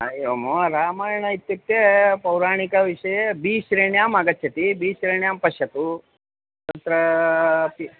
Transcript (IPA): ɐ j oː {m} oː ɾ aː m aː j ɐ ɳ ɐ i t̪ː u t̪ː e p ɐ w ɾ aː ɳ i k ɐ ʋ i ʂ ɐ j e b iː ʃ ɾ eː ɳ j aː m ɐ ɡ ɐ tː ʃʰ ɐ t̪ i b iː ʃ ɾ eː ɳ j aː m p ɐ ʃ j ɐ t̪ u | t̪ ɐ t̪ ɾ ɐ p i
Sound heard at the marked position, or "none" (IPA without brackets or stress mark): m